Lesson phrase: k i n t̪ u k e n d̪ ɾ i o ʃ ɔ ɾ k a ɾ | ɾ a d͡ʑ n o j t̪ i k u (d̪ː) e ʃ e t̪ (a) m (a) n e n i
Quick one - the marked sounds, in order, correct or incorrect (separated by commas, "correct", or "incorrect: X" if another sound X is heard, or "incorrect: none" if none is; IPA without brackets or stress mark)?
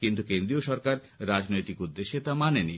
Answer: correct, correct, correct